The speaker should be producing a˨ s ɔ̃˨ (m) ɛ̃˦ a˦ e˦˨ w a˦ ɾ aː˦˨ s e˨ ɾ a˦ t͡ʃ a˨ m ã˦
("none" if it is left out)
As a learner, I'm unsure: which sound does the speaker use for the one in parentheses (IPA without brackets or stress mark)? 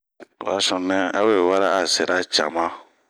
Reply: n